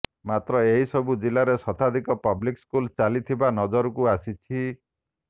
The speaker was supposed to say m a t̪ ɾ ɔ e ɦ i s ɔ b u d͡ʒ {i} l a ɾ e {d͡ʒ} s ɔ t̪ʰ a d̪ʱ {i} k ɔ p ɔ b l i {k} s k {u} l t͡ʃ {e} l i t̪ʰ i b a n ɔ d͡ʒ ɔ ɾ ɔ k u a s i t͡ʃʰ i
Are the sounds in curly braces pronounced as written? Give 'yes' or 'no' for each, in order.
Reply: yes, no, yes, yes, yes, no

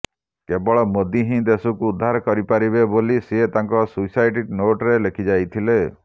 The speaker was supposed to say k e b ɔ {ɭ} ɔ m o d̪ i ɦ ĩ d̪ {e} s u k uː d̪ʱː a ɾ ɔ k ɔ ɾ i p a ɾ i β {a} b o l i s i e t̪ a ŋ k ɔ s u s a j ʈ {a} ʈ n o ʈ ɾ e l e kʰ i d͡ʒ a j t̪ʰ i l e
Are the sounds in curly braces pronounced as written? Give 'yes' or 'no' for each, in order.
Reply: yes, yes, no, no

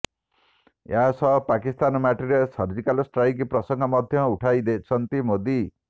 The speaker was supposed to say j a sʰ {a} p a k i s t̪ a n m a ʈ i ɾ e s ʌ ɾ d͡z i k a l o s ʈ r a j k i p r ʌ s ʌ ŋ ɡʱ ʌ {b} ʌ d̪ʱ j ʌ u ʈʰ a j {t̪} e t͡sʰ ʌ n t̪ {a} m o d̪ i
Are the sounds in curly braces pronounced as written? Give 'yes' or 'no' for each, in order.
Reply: no, no, no, no

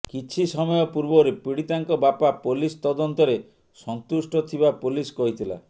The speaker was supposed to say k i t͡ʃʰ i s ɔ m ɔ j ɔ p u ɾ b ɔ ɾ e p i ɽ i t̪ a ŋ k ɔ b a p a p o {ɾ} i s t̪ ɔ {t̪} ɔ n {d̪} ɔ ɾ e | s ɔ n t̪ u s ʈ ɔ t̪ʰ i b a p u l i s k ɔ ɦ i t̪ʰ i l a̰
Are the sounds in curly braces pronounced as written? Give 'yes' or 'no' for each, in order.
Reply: no, no, no

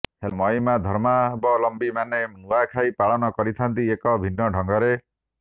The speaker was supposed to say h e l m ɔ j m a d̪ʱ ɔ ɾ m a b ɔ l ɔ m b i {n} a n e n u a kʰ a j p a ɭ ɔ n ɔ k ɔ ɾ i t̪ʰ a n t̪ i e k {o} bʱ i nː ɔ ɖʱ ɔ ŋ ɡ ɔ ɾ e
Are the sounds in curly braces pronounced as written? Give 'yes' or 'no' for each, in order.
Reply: no, no

